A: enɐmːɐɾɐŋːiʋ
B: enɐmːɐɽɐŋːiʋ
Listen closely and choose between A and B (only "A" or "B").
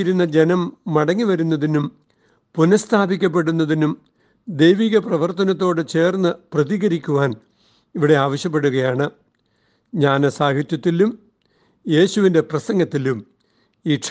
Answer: B